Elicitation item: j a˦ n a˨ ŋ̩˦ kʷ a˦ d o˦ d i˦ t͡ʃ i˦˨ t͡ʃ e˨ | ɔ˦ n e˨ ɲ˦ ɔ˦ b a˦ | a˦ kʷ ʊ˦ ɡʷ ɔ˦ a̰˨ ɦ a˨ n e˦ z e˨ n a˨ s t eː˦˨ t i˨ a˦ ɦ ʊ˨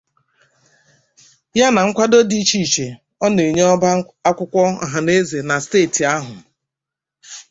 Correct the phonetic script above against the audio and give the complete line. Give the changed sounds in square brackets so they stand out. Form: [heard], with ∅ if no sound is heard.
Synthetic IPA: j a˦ n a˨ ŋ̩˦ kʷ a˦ d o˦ d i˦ t͡ʃ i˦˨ t͡ʃ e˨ | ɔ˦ n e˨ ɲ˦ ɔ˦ b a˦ | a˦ kʷ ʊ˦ [kʷ] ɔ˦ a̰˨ ɦ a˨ n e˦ z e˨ n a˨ s t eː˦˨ t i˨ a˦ ɦ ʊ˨